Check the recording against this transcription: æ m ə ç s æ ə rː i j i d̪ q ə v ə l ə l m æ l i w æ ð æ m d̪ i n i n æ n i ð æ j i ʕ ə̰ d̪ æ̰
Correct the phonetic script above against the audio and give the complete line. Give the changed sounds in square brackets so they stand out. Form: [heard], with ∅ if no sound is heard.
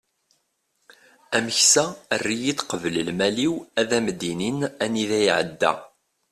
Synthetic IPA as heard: æ m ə ç s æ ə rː i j i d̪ q ə v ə l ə l m æ l i w æ ð æ m d̪ i n i n æ n i ð æ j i ʕ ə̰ [d̪ː] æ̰